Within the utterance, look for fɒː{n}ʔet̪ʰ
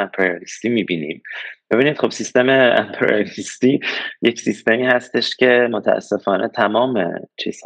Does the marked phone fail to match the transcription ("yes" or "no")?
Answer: no